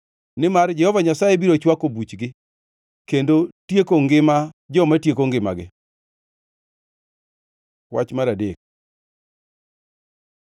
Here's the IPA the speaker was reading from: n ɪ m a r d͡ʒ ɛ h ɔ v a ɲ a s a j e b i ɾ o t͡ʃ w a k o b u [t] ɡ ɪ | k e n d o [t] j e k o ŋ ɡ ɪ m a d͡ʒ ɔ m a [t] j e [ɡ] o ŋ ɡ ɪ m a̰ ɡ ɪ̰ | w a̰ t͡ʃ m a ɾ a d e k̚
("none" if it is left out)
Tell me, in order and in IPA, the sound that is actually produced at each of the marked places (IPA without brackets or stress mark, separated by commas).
t͡ʃ, t, t, k